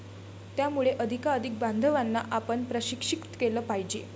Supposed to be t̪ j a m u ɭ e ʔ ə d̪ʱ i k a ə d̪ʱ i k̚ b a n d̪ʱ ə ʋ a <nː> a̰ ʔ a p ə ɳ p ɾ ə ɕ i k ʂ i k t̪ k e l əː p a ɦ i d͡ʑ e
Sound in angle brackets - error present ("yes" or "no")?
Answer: no